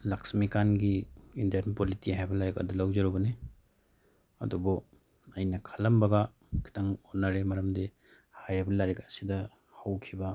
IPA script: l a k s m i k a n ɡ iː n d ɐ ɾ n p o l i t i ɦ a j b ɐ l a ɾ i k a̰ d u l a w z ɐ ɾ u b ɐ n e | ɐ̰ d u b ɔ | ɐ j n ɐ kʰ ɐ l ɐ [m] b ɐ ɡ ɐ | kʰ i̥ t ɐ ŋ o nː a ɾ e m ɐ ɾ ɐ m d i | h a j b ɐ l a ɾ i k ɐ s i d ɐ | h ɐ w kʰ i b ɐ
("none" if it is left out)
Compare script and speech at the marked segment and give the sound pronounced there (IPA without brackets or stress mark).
m